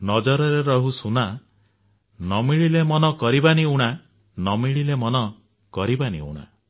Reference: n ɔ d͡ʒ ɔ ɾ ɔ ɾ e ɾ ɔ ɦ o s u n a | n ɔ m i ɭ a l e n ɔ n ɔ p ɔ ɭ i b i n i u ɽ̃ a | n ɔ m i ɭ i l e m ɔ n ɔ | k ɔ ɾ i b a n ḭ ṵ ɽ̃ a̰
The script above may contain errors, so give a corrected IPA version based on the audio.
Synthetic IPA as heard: n ɔ d͡ʒ ɔ ɾ ɔ ɾ e ɾ ɔ ɦ u s u n a | n ɔ m i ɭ i l e m ɔ n ɔ k ɔ ɾ i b a n i u ɽ̃ a | n ɔ m i ɭ i l e m ɔ n ɔ | k ɔ ɾ i b a n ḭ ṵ ɽ̃ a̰